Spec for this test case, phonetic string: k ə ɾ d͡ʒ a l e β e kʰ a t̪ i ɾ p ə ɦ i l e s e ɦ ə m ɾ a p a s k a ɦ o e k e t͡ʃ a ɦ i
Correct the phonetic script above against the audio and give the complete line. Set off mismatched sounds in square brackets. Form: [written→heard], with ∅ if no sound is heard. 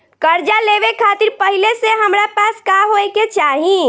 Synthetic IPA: k ə ɾ d͡ʒ a l e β e kʰ a t̪ i ɾ p ə ɦ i l e s e ɦ ə m ɾ a p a s k a ɦ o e k e t͡ʃ a ɦ i